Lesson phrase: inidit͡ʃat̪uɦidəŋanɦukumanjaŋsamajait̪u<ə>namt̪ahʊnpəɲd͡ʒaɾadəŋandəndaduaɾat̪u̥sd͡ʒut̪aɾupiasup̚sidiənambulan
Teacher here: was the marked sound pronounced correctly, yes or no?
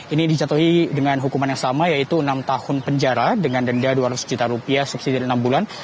yes